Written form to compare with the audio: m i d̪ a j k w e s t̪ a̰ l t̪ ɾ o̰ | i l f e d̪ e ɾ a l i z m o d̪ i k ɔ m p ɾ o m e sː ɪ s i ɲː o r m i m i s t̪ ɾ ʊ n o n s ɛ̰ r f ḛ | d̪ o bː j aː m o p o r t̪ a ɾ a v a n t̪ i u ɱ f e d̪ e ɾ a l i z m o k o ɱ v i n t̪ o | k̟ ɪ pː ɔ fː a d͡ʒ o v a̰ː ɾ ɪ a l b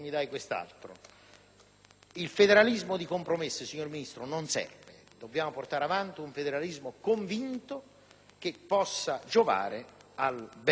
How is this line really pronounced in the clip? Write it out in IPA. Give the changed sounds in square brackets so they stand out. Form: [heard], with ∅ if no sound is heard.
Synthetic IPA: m i d̪ a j k w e s t̪ a̰ l t̪ ɾ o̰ | i l f e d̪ e ɾ a l i z m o d̪ i k [o] m p ɾ o m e sː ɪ s i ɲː o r m i [n] i s t̪ ɾ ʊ n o n s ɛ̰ r [v] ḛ | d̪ o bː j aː m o p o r t̪ a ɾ a v a n t̪ i u ɱ f e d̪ e ɾ a l i z m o k o ɱ v i n t̪ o | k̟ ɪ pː ɔ [sː] a d͡ʒ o v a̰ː ɾ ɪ a l b